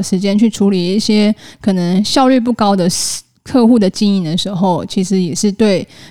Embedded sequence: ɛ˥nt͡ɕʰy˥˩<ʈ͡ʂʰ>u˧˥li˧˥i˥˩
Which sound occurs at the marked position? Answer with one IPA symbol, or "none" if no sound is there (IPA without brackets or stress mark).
ʈ͡ʂʰ